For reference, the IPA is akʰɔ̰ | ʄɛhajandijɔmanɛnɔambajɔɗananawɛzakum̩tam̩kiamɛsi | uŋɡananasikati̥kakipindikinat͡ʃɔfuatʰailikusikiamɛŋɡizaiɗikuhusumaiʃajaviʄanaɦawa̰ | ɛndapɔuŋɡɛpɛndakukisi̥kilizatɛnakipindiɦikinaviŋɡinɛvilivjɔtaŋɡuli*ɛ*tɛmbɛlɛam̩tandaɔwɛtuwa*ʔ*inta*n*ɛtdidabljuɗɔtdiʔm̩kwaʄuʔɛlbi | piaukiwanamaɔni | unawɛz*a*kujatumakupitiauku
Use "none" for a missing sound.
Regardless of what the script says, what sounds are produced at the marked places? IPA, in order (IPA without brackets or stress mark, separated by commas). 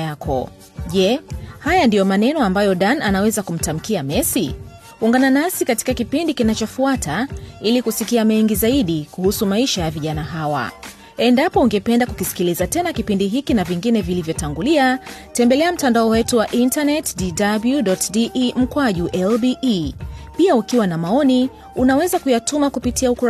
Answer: a, ʔ, n, a